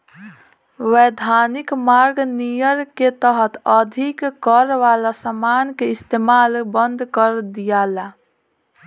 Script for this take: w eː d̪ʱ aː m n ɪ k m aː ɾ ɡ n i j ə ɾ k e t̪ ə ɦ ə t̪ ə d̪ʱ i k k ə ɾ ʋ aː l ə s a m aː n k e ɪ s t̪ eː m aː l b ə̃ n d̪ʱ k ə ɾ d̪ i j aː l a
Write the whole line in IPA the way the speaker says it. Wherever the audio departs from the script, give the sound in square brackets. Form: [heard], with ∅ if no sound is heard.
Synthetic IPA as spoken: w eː d̪ʱ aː [∅] n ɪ k m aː ɾ ɡ n i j ə ɾ k e t̪ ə ɦ ə t̪ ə d̪ʱ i k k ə ɾ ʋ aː l [a] s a m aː n k e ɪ s t̪ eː m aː l b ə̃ n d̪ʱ k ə ɾ d̪ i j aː l a